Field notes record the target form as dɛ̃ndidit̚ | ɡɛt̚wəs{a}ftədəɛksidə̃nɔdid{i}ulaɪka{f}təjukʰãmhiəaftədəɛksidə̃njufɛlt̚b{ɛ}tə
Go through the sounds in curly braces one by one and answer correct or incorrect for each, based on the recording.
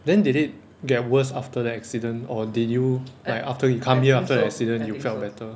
correct, incorrect, correct, correct

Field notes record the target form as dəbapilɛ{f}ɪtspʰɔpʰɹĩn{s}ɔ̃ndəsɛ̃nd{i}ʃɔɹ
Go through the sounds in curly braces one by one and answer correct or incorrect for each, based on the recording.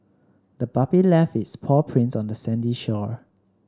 correct, correct, correct

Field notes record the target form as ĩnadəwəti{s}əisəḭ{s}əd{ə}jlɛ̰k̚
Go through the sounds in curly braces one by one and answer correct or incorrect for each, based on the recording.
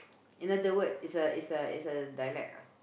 correct, correct, incorrect

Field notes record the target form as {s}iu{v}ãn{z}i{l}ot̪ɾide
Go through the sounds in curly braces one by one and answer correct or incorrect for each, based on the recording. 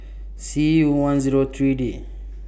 correct, incorrect, correct, incorrect

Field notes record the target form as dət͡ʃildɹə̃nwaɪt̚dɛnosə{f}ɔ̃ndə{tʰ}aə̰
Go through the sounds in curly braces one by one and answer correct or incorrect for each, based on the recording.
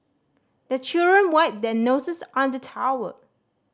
incorrect, correct

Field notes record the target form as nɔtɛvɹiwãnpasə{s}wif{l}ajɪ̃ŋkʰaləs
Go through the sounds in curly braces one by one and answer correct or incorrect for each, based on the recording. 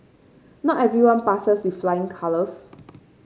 correct, correct

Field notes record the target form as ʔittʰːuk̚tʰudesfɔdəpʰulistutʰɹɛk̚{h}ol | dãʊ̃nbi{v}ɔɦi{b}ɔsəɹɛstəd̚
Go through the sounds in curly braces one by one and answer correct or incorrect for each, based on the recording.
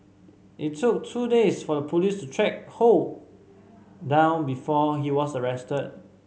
correct, incorrect, incorrect

